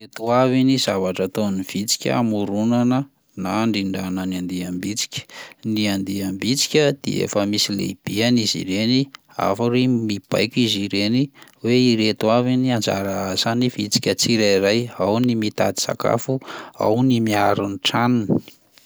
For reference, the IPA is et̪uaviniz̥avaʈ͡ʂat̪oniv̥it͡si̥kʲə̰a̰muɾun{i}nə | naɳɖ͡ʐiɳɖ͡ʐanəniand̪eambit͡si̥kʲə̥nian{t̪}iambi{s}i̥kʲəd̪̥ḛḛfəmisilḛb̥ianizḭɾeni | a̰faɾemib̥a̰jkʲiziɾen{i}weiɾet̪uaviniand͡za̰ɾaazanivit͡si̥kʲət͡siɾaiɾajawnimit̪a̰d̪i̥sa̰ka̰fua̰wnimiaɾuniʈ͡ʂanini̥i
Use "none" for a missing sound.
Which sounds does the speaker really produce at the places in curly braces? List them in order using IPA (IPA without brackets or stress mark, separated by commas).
a, d̪, t͡s, i